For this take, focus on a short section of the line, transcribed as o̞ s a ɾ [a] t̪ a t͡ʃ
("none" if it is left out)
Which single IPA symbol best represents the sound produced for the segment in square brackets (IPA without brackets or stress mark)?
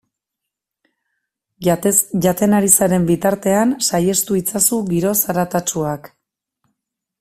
a